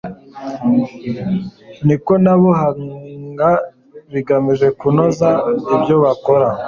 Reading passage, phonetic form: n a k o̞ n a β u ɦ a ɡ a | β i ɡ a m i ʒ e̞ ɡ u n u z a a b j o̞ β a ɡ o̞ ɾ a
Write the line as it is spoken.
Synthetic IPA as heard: n i k o̞ n a β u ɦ a ɡ a | β i ɡ a m i ʒ e̞ k u n o z a i b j o̞ β a k o̞ ɾ a